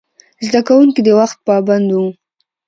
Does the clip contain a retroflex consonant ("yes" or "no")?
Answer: no